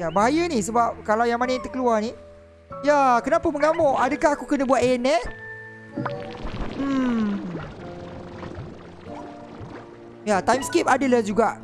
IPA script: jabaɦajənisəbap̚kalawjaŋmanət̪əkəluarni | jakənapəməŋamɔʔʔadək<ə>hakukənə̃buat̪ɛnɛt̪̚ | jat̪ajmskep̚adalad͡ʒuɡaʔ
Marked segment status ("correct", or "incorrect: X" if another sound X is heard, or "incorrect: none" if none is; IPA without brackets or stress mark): incorrect: a